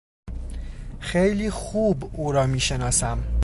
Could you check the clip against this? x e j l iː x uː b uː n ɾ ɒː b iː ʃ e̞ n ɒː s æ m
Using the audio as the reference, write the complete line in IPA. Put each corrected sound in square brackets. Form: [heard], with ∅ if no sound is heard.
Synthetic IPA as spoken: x e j l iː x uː b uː [∅] ɾ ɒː [m] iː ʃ e̞ n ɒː s æ m